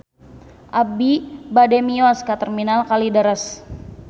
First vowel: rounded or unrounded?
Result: unrounded